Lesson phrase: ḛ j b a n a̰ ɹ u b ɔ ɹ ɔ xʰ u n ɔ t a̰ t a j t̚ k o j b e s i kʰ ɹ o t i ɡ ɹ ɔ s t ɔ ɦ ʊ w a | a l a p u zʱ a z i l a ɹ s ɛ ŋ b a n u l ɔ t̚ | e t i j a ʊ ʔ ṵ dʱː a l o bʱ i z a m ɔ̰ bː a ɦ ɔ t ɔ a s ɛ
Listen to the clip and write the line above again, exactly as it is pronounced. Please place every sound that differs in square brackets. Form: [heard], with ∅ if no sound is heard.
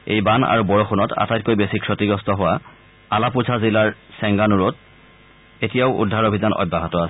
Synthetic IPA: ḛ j b a n a̰ ɹ u b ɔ ɹ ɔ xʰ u n ɔ t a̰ t a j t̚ k o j b e s i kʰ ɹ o t i ɡ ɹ ɔ s t ɔ ɦ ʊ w a | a l a p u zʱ a z i l a ɹ s ɛ ŋ [ɡ] a n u [ɹ] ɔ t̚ | e t i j a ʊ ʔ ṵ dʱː a [ɹ] o bʱ i z a [n] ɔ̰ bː a ɦ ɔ t ɔ a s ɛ